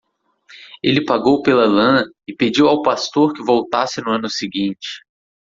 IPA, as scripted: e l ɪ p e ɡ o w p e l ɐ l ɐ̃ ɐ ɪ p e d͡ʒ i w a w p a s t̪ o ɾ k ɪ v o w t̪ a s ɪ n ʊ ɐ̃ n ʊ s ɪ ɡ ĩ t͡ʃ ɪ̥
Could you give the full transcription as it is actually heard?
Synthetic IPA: e l ɪ p a ɡ o w p e l ɐ l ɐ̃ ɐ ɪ p e d͡ʒ i w a w p a s t̪ o ɾ k ɪ v o w t̪ a s ɪ n ʊ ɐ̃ n ʊ s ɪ ɡ ĩ t͡ʃ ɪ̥